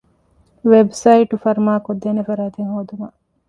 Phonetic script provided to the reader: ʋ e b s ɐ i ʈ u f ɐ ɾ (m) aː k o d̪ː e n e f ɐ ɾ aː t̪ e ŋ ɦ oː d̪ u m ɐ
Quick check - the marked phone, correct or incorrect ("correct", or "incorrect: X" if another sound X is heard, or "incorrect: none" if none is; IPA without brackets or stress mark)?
correct